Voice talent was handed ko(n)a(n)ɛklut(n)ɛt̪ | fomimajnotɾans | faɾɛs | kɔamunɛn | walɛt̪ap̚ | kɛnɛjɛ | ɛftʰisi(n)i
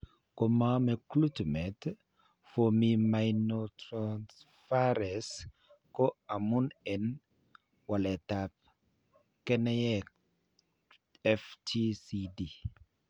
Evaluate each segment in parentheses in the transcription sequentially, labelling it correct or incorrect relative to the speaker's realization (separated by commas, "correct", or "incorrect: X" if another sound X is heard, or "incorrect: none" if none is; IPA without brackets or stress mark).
incorrect: m, incorrect: m, incorrect: m, incorrect: d